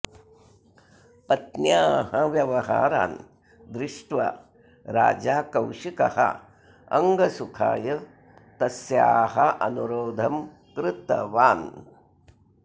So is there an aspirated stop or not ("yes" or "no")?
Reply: yes